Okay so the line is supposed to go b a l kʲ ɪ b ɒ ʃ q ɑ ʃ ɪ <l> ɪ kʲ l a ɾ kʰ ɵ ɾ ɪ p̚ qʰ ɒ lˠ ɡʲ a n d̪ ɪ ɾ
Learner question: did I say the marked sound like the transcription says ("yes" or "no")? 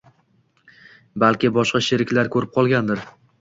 no